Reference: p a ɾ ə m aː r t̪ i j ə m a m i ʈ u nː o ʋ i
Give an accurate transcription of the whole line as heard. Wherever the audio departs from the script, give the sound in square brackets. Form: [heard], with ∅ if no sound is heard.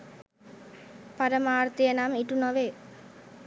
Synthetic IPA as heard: p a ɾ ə m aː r t̪ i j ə [n] a m i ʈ u [n] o ʋ [e]